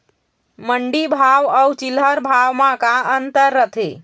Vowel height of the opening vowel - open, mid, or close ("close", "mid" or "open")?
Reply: mid